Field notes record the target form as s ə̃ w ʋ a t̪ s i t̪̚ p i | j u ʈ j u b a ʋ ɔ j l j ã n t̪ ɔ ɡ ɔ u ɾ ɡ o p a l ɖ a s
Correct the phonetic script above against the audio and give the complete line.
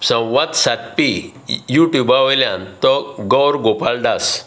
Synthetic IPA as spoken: s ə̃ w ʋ a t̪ s a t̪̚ p i | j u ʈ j u b a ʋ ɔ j l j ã n t̪ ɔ ɡ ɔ w ɾ ɡ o p a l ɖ a s